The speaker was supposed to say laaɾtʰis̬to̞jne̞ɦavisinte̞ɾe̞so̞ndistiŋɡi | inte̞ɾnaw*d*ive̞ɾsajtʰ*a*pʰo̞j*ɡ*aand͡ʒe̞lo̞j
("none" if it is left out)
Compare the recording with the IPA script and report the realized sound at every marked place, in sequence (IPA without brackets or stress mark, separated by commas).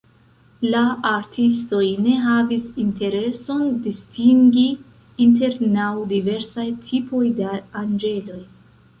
d, i, d